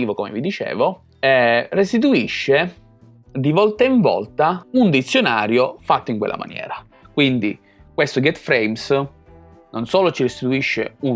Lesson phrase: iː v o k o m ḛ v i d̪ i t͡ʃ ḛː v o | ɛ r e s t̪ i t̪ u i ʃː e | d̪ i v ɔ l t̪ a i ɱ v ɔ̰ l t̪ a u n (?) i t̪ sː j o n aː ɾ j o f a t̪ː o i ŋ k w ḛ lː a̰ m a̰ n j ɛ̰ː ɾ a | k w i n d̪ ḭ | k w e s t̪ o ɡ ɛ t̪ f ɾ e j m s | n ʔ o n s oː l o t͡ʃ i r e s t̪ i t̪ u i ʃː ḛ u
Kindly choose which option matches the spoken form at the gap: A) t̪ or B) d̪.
B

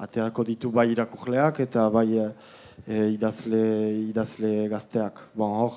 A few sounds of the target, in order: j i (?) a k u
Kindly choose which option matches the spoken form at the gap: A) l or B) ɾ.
B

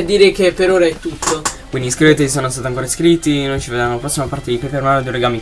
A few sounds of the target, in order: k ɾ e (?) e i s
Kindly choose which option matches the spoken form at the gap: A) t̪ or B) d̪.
A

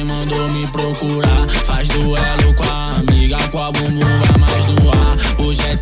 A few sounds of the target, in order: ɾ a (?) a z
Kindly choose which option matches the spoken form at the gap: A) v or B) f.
B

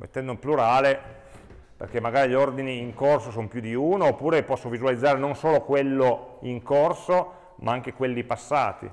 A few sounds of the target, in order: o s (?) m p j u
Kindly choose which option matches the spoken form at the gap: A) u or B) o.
B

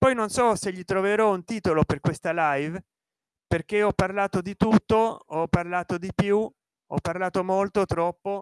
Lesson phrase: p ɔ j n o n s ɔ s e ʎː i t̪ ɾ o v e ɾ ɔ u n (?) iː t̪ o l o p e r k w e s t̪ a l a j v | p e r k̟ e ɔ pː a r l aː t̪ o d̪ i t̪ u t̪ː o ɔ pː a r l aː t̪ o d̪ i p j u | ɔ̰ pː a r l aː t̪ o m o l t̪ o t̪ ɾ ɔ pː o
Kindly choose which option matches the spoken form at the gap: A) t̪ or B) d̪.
A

